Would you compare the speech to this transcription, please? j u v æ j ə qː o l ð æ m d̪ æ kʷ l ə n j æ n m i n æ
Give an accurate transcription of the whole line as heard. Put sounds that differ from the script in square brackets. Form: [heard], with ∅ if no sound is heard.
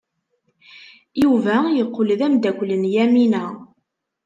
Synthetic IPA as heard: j u v æ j ə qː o l ð æ m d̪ æ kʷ l ə n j æ [∅] m i n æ